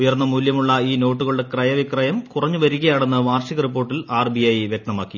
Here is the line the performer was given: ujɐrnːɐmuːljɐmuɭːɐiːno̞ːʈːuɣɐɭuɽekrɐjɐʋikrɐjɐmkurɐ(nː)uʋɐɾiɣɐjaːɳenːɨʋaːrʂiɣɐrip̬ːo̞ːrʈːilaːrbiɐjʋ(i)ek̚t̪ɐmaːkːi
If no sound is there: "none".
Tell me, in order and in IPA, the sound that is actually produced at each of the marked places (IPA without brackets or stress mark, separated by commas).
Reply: ɲː, j